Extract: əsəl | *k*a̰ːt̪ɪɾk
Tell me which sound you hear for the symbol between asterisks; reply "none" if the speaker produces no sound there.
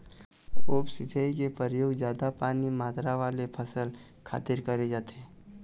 kʰ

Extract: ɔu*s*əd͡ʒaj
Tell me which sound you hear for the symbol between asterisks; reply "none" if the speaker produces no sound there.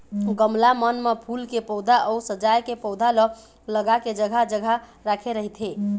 s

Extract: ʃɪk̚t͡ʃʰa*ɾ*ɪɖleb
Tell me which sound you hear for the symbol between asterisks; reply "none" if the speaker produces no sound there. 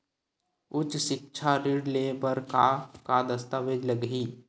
ɾ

